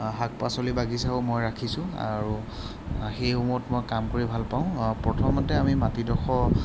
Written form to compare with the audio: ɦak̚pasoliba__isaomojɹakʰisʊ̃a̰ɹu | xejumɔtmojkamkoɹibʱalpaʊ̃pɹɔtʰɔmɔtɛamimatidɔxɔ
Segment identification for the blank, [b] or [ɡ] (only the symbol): ɡ